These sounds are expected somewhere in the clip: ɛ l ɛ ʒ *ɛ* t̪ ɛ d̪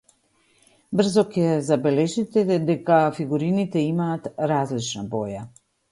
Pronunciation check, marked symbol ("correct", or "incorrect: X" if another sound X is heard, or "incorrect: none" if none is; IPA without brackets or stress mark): incorrect: i